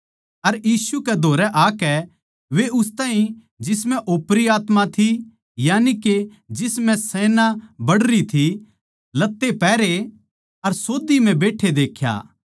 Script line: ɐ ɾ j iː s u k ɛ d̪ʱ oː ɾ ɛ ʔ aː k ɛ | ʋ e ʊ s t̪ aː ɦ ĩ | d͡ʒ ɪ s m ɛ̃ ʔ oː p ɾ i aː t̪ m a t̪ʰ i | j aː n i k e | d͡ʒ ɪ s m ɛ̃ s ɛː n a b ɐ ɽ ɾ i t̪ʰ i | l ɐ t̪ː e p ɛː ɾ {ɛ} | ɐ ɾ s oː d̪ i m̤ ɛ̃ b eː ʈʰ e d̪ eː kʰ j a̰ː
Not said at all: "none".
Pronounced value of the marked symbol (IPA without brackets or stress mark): e